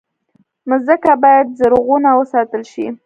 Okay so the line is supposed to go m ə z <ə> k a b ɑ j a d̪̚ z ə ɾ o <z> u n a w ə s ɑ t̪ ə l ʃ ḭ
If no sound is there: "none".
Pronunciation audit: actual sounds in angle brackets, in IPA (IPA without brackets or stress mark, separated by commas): ə, ɣ